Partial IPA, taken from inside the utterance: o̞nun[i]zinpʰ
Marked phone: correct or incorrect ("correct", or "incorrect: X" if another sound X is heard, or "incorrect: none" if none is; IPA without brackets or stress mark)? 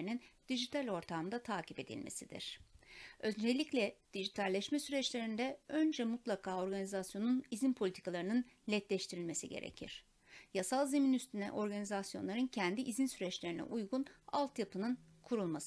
correct